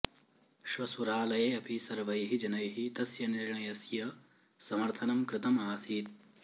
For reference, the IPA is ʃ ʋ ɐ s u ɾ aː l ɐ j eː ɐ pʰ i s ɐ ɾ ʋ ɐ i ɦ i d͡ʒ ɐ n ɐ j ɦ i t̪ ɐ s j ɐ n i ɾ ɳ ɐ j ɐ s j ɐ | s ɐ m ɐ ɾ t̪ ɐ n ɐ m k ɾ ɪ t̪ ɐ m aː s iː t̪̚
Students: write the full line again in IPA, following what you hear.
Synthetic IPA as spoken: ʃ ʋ ɐ s u ɾ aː l ɐ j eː ɐ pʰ i s ɐ ɾ ʋ ɐ j ɦ i d͡ʒ ɐ n ɐ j ɦ i t̪ ɐ s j ɐ n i ɾ ɳ ɐ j ɐ s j ɐ | s ɐ m ɐ ɾ t̪ʰ ɐ n ɐ m k ɾ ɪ t̪ ɐ m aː s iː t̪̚